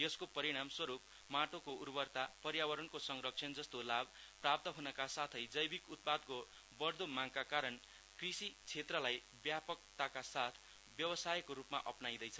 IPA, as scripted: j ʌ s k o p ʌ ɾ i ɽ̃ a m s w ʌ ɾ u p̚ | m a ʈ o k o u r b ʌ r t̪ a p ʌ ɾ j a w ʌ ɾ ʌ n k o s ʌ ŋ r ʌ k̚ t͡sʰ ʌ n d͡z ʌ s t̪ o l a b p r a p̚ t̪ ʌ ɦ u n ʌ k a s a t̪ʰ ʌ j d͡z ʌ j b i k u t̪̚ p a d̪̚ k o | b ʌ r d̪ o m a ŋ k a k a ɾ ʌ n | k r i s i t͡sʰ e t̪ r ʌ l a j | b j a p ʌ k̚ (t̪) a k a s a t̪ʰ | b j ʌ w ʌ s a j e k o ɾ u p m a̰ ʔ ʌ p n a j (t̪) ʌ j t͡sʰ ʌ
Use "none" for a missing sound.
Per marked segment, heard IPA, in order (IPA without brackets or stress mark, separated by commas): t̪, d̪